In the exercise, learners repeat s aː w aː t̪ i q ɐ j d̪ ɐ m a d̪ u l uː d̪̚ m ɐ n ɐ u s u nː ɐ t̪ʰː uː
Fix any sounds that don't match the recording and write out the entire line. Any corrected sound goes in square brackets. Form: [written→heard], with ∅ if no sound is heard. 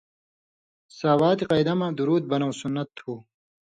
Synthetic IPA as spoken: s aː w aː t̪ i q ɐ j d̪ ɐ m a d̪ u [l→ɾ] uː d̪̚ [m→b] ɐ n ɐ [u→w] s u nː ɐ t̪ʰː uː